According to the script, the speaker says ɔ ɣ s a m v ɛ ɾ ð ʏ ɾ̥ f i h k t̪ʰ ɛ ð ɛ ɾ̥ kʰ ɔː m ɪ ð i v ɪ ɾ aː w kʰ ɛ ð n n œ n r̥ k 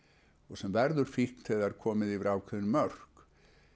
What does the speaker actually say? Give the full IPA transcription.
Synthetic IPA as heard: ɔ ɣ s ɛ m v ɛ ɾ ð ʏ ɾ̥ f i h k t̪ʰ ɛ ð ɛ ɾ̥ kʰ ɔː m ɪ ð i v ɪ ɾ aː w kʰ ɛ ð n m œ r̥ k